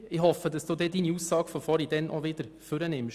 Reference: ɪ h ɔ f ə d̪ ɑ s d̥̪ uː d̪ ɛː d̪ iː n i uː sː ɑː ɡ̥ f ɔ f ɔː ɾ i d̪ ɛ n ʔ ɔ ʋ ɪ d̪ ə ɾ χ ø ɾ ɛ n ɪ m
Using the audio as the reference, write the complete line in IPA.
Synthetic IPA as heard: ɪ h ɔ f ə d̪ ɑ s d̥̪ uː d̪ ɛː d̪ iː n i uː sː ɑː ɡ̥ f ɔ f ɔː ɾ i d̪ ɛ n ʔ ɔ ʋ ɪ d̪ ə ɾ f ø ɾ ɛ n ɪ m